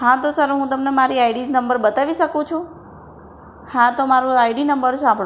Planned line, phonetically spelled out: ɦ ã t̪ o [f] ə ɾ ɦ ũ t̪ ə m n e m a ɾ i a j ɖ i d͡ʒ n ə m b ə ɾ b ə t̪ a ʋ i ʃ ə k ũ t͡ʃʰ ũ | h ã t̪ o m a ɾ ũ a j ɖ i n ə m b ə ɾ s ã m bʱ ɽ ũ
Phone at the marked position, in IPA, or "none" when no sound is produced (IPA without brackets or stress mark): s